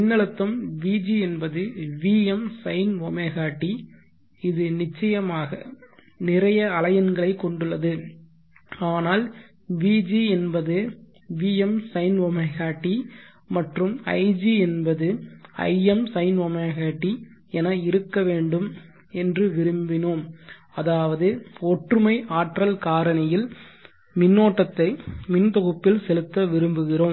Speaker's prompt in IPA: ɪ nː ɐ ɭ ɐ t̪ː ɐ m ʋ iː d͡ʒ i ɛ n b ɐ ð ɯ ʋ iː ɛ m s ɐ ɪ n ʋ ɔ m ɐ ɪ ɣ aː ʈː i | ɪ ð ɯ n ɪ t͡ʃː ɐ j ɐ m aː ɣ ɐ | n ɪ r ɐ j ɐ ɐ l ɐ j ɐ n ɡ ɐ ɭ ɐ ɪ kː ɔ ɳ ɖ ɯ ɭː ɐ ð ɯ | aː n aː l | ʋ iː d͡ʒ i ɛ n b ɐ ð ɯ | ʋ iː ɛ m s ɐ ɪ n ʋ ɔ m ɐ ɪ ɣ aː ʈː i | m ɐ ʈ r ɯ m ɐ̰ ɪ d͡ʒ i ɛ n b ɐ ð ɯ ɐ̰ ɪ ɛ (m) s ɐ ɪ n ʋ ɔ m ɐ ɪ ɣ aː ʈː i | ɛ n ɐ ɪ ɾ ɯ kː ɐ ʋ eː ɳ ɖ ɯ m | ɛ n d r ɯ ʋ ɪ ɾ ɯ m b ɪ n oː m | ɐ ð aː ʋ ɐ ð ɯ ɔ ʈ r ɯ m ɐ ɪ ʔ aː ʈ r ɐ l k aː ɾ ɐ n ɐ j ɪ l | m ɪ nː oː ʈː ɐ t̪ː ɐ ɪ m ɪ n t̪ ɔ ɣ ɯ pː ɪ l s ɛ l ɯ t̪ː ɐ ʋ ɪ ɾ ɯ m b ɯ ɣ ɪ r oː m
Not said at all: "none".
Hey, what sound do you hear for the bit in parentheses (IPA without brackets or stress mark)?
m